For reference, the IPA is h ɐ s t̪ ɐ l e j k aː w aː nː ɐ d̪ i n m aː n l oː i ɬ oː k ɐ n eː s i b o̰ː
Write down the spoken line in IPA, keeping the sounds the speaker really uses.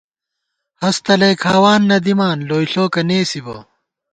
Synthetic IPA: h ɐ s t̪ ɐ l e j kʰ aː w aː nː ɐ d̪ i m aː n l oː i ɬ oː k ɐ n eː s i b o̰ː